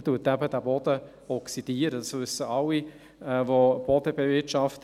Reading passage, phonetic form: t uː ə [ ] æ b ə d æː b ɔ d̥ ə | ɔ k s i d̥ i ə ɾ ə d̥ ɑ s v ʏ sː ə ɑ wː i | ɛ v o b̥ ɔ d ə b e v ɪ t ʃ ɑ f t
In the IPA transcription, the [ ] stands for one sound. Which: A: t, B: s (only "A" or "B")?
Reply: A